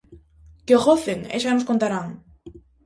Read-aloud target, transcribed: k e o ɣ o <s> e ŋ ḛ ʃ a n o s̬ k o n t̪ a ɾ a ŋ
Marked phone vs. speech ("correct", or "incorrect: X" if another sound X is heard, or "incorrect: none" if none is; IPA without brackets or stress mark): incorrect: θ